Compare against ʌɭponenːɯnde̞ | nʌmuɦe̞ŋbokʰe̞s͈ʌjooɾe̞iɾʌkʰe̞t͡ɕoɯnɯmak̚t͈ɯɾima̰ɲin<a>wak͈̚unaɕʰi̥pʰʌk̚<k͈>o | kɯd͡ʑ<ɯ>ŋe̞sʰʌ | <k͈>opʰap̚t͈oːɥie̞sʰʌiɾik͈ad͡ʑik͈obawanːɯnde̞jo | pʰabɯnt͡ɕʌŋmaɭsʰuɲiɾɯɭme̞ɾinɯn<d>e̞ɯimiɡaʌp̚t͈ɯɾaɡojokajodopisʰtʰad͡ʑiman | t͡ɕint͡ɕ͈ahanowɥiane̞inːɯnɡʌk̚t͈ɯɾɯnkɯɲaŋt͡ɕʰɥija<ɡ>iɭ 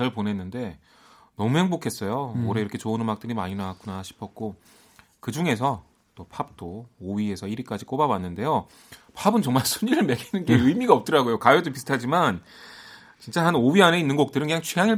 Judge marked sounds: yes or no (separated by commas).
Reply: yes, yes, no, no, no, no